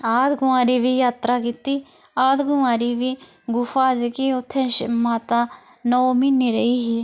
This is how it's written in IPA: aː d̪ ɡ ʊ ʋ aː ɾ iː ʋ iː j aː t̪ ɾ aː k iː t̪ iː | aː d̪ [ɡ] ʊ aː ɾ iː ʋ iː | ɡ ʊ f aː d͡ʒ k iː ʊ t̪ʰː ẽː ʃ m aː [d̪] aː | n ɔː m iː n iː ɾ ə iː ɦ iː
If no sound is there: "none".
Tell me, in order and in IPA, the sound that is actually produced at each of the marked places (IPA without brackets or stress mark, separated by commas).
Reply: ɡ, t̪